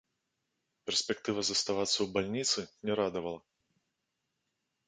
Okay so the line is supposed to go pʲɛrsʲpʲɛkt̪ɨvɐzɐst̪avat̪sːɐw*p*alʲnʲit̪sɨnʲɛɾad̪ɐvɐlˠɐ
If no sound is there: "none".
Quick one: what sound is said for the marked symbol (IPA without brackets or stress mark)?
b